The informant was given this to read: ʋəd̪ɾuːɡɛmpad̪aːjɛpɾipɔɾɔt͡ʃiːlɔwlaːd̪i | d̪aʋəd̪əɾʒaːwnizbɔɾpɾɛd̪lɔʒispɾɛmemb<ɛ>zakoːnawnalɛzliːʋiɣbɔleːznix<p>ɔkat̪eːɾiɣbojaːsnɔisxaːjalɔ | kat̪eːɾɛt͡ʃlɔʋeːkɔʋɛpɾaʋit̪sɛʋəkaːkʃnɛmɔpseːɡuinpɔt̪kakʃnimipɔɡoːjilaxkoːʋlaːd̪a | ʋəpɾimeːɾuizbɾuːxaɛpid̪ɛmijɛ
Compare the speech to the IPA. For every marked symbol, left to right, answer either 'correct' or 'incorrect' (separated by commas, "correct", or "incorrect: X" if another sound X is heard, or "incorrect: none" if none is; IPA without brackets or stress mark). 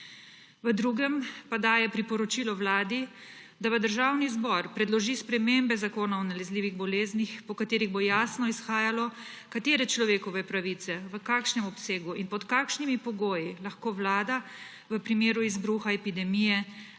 correct, correct